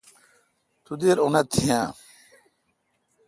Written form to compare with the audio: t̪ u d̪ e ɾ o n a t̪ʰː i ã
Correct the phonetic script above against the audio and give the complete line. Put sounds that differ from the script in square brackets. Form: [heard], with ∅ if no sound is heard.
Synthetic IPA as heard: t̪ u d̪ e ɾ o n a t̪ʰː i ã